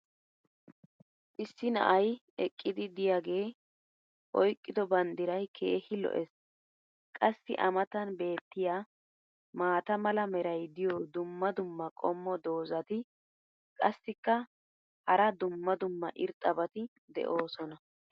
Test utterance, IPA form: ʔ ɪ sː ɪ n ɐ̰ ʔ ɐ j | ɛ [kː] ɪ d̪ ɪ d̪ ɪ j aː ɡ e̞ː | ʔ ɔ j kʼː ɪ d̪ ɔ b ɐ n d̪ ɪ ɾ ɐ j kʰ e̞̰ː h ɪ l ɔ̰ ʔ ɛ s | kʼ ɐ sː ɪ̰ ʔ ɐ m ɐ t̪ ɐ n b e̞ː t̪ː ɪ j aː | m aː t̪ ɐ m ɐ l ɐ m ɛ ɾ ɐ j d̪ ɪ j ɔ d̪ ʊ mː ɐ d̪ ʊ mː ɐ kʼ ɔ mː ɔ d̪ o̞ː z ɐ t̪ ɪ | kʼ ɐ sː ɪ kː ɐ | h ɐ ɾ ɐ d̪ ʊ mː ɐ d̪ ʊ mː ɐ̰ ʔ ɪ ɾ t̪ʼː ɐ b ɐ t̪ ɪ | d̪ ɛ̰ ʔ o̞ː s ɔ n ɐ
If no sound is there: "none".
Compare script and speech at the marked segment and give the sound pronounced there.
kʼː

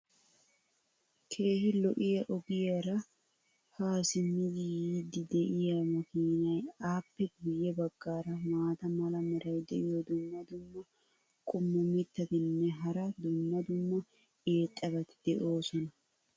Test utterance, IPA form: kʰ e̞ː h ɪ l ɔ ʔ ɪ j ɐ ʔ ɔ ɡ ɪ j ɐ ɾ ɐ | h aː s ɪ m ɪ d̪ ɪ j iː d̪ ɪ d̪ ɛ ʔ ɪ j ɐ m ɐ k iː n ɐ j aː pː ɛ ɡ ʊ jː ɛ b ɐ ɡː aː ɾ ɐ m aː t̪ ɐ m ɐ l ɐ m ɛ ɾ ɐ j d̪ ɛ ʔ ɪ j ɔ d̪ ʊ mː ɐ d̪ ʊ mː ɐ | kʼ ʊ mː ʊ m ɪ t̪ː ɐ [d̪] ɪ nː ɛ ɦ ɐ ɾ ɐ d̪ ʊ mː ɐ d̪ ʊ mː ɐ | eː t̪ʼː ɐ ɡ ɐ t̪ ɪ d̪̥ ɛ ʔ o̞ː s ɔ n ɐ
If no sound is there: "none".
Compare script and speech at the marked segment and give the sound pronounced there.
t̪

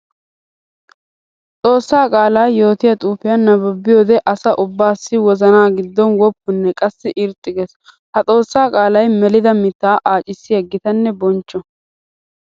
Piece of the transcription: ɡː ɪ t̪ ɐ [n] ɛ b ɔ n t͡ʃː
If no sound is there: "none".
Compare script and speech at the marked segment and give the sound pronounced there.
nː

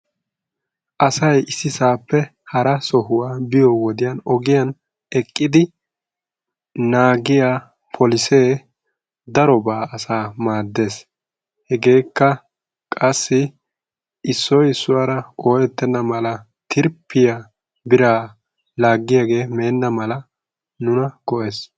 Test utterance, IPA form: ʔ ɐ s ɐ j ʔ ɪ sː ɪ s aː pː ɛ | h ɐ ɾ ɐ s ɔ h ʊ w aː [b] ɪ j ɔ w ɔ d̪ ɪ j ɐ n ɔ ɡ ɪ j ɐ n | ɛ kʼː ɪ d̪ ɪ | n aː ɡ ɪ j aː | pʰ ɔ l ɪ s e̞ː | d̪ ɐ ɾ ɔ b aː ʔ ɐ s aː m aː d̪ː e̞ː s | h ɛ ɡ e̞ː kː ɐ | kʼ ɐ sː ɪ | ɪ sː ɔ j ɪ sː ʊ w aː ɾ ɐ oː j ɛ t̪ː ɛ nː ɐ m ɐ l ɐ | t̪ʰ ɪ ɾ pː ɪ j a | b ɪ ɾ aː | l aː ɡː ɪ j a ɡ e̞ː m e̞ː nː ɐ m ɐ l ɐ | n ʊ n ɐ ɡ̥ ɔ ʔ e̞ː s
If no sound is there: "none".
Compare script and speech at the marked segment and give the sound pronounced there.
b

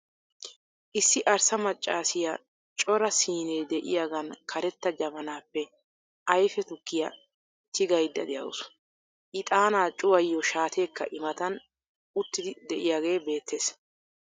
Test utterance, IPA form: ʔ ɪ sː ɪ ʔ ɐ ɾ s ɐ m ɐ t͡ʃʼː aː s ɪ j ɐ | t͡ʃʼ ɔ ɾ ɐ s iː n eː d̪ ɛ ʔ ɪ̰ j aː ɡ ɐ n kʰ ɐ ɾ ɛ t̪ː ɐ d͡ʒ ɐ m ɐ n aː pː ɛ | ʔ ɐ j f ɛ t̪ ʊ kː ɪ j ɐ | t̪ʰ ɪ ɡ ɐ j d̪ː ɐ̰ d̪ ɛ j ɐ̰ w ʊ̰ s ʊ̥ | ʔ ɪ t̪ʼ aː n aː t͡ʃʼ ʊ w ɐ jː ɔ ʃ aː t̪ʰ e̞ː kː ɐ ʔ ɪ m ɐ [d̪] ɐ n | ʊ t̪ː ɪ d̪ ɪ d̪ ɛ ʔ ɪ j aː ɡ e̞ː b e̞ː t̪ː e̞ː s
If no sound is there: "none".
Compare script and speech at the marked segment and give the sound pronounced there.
t̪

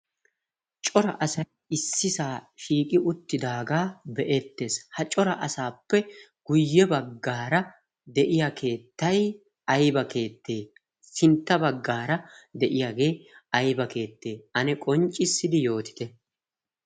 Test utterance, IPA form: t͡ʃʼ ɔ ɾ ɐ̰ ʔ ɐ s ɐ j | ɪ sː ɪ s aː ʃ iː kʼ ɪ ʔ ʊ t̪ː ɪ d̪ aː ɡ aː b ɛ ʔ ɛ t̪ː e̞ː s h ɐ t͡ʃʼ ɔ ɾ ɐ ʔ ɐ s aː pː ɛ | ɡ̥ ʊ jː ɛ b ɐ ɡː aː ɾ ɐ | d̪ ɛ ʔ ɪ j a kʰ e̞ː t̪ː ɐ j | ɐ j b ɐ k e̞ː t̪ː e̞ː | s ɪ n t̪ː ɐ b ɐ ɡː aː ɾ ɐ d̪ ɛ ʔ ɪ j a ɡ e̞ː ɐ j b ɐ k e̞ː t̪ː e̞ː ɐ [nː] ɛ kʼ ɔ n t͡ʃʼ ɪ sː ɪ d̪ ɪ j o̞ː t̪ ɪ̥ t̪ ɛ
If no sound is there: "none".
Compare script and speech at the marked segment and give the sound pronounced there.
n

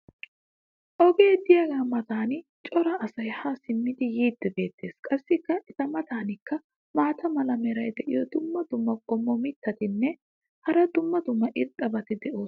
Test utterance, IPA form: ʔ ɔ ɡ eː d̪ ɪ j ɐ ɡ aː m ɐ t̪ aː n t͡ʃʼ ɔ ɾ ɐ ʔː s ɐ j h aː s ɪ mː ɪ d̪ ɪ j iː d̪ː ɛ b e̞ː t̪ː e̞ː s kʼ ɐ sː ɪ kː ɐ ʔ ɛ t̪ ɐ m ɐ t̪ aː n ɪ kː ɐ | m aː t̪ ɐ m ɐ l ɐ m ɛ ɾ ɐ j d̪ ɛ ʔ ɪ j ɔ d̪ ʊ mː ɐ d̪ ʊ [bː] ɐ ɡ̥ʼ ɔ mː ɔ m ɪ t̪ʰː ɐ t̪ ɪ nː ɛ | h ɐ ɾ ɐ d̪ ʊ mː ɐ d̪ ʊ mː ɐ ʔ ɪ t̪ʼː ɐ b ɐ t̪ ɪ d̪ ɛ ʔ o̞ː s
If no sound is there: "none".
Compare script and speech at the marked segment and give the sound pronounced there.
mː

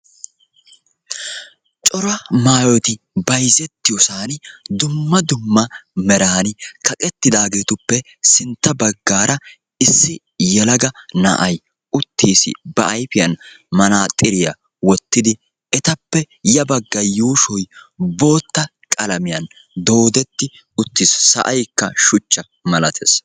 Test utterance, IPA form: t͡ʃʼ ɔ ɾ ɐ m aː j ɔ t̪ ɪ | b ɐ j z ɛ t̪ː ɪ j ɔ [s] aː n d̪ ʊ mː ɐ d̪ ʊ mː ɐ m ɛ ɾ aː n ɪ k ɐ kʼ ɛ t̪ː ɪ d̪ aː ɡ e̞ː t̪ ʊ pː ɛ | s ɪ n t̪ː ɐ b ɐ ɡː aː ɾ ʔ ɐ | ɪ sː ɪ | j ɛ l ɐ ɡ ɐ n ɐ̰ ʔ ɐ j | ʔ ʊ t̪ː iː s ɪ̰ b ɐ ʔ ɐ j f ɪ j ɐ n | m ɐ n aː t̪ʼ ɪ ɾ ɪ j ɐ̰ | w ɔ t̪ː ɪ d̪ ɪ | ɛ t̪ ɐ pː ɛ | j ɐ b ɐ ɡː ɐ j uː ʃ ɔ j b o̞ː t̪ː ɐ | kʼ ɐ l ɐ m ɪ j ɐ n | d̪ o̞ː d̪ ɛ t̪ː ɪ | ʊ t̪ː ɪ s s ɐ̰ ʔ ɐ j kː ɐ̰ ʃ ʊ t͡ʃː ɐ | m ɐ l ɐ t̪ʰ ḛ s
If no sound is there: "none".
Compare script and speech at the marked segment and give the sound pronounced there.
s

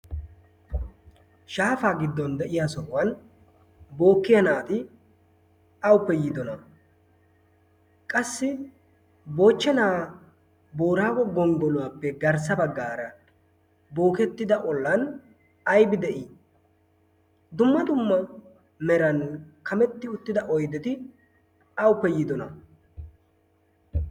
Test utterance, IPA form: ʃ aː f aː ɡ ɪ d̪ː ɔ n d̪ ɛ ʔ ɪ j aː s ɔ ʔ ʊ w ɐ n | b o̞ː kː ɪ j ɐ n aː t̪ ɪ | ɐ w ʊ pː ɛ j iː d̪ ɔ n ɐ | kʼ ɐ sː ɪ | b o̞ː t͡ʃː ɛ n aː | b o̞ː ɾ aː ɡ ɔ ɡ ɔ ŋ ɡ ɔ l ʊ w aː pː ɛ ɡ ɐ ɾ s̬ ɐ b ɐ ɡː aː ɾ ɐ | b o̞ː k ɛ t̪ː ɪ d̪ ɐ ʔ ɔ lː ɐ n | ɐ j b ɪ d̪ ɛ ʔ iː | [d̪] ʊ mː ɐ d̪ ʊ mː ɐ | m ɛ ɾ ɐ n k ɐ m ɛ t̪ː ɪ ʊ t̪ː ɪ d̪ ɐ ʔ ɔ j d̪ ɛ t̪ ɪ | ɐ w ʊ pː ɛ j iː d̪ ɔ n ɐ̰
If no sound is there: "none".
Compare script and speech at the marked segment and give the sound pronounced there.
d̪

